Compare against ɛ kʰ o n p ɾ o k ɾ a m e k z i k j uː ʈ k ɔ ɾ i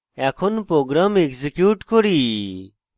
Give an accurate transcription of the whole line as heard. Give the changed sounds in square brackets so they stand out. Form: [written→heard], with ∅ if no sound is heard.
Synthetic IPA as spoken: ɛ kʰ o n p ɾ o [k→ɡ] ɾ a m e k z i k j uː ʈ k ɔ ɾ i